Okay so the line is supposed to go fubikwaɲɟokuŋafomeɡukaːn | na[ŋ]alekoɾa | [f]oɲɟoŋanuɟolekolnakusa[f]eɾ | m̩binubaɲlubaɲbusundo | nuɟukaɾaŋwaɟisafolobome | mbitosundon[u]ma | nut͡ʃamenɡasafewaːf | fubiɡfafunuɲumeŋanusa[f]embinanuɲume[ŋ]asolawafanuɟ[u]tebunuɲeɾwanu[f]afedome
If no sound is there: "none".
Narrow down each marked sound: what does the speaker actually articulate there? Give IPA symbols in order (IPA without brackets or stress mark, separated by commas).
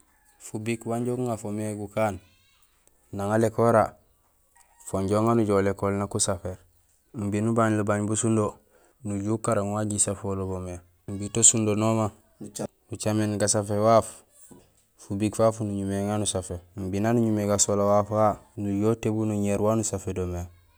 ŋ, f, f, o, f, ɡ, o, s